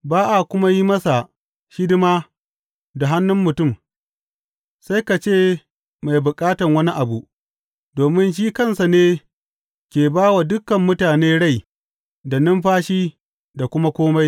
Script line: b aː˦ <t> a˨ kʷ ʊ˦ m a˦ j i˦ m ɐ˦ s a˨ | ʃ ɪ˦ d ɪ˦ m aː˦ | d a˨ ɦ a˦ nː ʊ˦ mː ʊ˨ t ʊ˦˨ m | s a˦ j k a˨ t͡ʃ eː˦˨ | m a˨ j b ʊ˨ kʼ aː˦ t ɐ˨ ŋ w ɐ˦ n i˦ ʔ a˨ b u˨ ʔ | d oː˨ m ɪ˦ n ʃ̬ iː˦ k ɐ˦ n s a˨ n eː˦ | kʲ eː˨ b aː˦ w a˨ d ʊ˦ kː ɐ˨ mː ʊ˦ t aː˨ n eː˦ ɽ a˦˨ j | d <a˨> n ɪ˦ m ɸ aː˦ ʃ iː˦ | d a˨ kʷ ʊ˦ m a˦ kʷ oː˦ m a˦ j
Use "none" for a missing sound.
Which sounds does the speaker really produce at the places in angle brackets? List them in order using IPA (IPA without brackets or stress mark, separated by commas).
ʔ, a˨